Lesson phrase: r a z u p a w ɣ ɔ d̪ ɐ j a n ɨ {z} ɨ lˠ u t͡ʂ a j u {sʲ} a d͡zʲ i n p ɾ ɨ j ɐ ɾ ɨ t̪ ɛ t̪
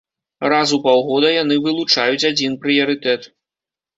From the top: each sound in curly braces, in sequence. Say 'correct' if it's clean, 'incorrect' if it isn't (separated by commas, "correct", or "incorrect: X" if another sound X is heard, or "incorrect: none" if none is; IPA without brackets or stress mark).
incorrect: v, incorrect: t͡sʲ